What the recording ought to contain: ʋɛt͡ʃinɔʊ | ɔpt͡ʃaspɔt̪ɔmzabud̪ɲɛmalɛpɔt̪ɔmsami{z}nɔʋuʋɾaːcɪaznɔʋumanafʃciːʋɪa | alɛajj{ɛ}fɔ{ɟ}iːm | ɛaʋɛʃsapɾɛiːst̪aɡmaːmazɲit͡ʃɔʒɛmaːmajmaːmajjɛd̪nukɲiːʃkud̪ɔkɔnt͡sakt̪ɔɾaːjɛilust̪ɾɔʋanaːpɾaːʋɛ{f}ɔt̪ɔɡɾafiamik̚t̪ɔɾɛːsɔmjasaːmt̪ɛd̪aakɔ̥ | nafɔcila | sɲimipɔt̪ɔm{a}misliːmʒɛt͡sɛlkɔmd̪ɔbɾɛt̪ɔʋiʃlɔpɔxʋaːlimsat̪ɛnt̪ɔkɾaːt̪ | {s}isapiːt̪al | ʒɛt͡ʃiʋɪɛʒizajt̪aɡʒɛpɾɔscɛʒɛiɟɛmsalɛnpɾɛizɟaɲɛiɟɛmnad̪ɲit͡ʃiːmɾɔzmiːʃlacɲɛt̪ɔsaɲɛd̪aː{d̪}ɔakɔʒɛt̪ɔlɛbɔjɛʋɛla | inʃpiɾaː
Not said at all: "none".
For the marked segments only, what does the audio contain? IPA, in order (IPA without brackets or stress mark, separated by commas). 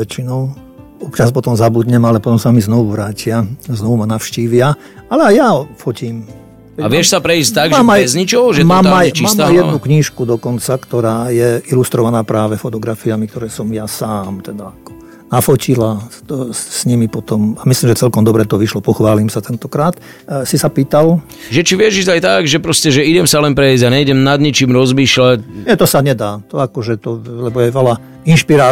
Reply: z, a, c, f, a, s, t̪